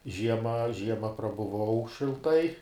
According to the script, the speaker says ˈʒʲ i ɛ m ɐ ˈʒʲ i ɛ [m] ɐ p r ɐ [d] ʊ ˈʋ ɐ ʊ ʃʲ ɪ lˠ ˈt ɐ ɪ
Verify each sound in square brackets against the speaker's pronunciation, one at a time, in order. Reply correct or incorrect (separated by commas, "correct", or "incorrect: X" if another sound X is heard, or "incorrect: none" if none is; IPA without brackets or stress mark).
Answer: correct, incorrect: b